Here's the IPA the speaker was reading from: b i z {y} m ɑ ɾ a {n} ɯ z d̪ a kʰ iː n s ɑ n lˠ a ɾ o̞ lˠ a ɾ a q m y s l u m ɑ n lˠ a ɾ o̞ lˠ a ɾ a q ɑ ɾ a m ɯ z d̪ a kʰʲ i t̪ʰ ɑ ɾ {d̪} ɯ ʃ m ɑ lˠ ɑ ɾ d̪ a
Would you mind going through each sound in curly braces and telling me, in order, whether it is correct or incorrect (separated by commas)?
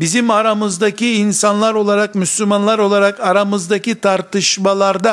incorrect, incorrect, incorrect